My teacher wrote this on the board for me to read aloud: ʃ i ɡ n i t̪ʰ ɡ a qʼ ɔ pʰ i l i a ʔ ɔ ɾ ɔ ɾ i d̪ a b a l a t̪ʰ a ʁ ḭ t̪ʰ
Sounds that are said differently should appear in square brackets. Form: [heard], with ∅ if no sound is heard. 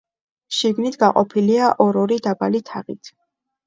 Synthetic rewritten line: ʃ i ɡ n i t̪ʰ ɡ a qʼ ɔ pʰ i l i a ʔ ɔ ɾ ɔ ɾ i d̪ a b a l [i] t̪ʰ a ʁ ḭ t̪ʰ